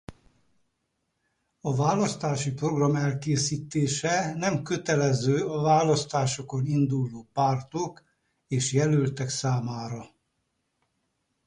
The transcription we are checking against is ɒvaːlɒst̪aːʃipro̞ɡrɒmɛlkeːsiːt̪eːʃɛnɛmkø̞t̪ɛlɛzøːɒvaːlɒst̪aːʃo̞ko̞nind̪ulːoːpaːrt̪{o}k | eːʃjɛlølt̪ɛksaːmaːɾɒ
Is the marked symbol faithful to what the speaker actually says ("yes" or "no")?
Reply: yes